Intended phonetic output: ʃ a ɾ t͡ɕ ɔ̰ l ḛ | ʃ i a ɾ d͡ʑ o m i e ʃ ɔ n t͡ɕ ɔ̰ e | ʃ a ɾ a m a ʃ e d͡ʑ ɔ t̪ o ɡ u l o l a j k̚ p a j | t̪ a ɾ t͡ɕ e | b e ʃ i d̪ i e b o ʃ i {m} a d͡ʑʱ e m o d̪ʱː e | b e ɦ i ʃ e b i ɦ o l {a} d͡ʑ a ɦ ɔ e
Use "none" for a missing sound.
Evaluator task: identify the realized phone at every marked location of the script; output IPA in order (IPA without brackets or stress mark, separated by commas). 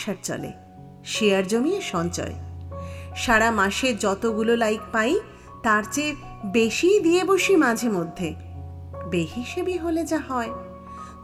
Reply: m, e